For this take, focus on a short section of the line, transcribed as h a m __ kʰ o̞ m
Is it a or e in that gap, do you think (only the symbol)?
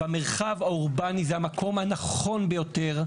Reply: a